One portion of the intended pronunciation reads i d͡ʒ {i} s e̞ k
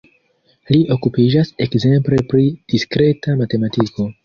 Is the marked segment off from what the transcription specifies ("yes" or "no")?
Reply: yes